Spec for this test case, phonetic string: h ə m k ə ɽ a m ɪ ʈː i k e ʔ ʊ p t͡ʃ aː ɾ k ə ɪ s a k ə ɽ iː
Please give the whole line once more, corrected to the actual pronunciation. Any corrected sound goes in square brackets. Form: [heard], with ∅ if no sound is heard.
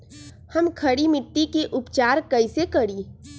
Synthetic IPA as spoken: h ə m [kʰ] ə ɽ [i] m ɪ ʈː i k e ʔ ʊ p t͡ʃ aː ɾ k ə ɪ s [e] k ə ɽ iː